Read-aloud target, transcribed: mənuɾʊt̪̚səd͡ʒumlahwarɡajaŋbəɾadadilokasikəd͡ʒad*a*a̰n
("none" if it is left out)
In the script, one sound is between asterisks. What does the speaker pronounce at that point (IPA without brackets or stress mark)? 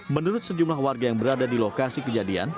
i